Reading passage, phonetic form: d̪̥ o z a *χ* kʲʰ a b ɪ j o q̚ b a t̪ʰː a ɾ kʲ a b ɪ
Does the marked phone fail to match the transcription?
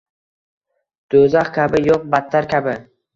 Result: no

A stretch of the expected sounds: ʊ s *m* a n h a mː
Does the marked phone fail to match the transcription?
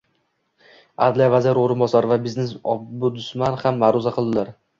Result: no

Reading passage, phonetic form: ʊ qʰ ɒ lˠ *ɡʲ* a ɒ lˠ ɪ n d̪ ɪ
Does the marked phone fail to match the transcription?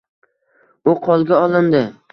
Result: no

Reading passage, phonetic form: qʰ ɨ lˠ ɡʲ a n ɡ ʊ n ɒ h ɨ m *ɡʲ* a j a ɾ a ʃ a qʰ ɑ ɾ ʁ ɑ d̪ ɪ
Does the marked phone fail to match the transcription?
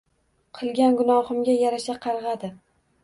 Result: no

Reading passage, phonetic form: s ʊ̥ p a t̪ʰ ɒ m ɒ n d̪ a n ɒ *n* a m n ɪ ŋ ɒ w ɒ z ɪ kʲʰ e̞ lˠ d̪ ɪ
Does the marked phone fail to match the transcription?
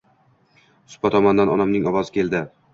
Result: no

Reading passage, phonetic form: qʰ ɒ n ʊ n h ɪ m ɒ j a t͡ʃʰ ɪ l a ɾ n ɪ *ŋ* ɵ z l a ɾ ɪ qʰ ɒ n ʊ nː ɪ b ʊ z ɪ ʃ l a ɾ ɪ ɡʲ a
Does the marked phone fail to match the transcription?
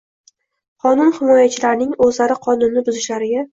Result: no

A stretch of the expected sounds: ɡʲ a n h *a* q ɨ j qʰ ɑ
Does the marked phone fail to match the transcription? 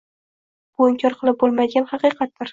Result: yes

